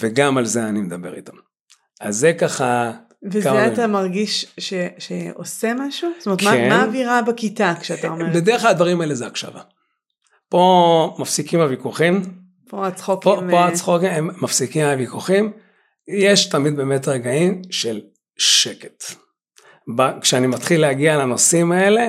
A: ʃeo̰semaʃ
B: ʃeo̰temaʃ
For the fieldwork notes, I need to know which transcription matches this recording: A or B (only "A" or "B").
A